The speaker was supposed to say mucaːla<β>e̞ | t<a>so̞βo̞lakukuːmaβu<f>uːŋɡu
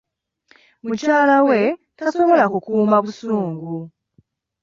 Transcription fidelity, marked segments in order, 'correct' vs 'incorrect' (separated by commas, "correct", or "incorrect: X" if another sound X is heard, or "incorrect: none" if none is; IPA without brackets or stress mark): incorrect: w, correct, incorrect: s